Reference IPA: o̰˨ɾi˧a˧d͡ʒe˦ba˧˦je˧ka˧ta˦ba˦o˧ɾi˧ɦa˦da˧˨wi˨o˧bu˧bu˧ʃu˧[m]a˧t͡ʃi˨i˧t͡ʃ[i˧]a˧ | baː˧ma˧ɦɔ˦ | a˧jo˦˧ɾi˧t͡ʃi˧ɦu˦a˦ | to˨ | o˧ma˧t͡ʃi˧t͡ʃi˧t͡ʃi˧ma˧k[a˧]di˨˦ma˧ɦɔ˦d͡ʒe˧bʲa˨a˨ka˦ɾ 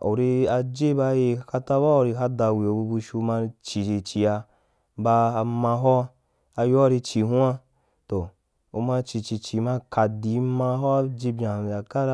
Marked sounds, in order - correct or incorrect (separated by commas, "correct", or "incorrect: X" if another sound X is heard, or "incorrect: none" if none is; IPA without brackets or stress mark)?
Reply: correct, correct, correct